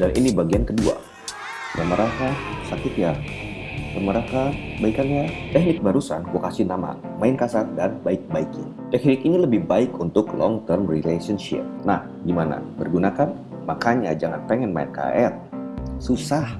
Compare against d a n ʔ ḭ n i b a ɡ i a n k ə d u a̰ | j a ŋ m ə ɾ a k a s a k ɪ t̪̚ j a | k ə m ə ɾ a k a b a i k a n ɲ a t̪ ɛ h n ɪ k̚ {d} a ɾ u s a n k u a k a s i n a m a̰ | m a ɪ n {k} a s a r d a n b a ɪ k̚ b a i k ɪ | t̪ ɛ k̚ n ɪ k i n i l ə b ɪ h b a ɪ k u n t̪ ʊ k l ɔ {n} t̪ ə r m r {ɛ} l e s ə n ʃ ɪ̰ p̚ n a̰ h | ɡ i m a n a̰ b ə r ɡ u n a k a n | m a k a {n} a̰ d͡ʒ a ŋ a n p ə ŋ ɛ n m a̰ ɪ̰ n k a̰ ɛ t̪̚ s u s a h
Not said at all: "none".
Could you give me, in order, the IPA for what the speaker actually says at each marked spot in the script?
b, k, ŋ, i, ɲ

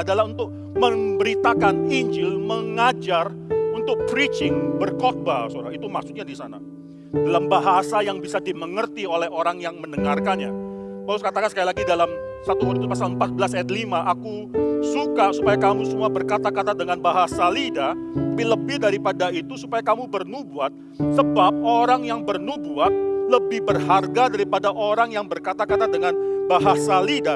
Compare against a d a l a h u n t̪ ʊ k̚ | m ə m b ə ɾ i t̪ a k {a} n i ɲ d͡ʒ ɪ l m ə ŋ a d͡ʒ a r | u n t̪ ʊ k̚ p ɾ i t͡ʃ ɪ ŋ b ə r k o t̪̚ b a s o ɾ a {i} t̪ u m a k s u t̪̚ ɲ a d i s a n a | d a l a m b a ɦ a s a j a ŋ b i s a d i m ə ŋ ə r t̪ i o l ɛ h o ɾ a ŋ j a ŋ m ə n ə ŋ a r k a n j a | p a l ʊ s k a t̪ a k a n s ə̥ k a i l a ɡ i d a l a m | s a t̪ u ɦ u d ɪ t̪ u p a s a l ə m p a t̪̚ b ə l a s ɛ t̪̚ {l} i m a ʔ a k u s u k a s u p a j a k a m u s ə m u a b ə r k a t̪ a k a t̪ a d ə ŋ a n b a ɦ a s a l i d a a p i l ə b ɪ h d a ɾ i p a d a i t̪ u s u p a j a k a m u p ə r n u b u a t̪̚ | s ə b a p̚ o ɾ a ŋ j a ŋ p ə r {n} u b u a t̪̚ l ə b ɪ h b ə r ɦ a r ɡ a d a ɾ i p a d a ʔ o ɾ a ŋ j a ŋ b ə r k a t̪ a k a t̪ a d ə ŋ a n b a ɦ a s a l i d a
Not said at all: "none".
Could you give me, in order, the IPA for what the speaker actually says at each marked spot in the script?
a, i, l, n

